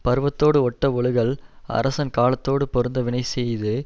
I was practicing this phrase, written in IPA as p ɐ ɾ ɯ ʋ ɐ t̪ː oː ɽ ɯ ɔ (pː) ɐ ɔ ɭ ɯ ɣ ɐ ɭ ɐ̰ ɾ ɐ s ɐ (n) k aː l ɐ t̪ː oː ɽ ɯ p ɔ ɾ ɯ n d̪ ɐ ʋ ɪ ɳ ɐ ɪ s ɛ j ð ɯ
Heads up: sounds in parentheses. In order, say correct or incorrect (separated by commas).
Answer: incorrect, correct